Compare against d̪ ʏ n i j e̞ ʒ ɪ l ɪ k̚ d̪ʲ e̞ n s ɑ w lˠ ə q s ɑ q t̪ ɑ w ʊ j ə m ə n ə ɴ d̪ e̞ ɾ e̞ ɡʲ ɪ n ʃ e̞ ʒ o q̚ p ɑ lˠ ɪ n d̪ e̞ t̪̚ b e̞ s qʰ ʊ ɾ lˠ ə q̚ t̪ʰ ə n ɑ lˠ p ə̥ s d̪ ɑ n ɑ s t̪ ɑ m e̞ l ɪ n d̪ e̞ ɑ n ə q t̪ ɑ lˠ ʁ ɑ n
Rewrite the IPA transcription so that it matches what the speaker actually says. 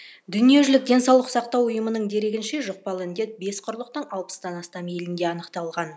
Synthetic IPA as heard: d̪ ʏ n i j e̞ ʒ ɪ l ɪ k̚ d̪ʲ e̞ n s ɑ w lˠ ə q s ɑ q t̪ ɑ w ʊ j ə m ə n ə ɴ d̪ e̞ ɾ e̞ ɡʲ ɪ n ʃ e̞ ʒ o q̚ p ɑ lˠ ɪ n d̪ e̞ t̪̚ b e̞ s qʰ ʊ ɾ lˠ ə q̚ t̪ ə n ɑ lˠ p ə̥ s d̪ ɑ n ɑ s t̪ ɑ m e̞ l ɪ n d̪ e̞ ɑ n ə q t̪ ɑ lˠ ʁ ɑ n